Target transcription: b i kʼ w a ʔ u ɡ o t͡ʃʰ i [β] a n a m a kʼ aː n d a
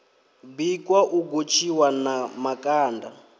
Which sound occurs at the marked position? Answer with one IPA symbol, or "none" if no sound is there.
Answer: w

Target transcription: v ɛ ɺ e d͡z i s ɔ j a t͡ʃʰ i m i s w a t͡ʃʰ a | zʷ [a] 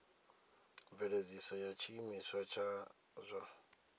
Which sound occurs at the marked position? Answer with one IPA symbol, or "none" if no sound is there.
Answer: a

